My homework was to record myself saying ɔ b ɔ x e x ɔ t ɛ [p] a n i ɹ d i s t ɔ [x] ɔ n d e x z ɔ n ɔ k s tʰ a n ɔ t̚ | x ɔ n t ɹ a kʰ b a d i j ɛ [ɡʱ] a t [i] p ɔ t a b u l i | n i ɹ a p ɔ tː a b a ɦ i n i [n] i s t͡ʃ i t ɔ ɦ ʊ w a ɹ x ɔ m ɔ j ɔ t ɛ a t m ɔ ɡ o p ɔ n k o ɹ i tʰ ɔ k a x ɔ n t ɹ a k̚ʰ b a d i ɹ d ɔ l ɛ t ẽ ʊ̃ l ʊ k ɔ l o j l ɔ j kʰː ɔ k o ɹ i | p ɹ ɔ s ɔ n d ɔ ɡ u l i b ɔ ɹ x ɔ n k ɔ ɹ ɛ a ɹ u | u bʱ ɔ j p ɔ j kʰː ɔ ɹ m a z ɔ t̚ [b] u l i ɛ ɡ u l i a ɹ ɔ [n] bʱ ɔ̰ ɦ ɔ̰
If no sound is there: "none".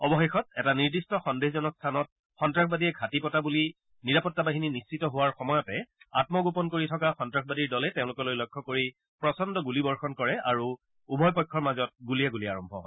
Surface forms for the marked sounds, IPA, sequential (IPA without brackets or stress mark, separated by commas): t, x, ɡʱ, i, n, ɡ, m